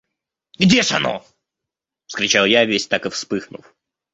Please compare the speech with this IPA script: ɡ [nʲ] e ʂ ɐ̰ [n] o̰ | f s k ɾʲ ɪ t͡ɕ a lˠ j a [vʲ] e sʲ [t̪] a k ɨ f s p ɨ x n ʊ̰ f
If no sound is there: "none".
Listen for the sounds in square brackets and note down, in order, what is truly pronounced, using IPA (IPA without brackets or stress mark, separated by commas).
dʲ, n, vʲ, t̪